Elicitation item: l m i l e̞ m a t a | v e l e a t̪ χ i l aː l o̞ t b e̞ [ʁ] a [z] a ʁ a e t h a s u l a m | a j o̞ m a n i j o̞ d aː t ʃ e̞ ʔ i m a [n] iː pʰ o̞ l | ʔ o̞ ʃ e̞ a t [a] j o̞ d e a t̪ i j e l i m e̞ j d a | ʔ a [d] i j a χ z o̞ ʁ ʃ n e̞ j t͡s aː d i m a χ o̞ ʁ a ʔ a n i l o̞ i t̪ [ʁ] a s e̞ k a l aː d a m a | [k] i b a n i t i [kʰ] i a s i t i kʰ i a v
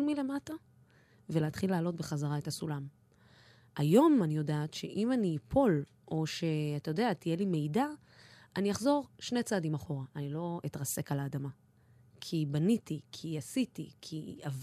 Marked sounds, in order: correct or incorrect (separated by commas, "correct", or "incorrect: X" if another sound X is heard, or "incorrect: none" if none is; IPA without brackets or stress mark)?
incorrect: χ, correct, correct, correct, incorrect: n, correct, incorrect: kʰ, correct